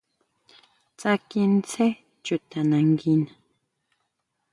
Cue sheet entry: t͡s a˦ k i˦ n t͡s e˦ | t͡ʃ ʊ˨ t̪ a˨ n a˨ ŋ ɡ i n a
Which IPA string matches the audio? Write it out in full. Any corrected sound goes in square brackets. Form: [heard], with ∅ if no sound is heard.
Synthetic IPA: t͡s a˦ k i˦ n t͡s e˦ | t͡ʃ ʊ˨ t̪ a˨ n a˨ ŋ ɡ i n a